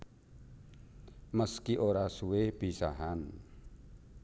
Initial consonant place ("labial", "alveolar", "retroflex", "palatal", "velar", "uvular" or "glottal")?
labial